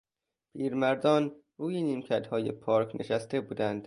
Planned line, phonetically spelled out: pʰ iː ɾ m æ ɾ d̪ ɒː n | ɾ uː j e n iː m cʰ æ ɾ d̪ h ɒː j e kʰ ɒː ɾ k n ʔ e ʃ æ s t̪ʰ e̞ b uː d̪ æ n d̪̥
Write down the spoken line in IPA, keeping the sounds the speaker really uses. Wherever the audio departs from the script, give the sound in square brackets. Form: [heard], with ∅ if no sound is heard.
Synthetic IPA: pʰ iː ɾ m æ ɾ d̪ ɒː n | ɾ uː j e n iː m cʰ æ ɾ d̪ h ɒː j e [pʰ] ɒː ɾ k n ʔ e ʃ æ s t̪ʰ e̞ b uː d̪ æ n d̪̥